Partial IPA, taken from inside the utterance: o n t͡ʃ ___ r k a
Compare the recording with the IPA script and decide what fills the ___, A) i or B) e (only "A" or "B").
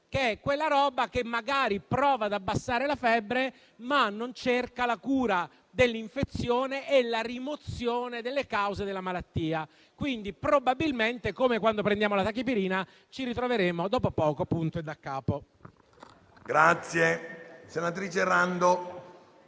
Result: B